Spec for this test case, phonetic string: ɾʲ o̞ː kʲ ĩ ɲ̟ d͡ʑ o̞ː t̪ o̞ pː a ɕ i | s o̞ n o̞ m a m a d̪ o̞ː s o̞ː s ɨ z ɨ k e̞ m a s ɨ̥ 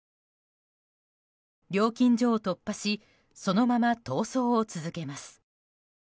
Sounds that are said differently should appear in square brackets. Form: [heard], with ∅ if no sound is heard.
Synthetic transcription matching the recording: ɾʲ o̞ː kʲ ĩ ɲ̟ d͡ʑ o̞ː t̪ o̞ pː a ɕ i | s o̞ n o̞ m a m a [t̪] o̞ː s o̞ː [t͡s] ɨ z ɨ k e̞ m a s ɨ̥